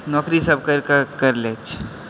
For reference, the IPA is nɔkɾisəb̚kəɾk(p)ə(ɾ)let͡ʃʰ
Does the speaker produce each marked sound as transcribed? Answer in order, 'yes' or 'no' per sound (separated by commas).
no, yes